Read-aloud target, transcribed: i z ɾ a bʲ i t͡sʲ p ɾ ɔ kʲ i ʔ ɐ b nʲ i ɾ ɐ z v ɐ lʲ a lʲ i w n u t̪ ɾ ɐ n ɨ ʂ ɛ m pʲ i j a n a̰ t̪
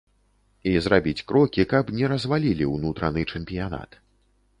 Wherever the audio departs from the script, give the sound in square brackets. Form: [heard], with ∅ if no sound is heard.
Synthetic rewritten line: i z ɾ a bʲ i t͡sʲ [k] ɾ ɔ kʲ i [k] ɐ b nʲ [ɛ] ɾ ɐ z v [a] lʲ [i] lʲ i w n u t̪ ɾ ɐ n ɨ [t͡ʂ] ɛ m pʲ i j a n a̰ t̪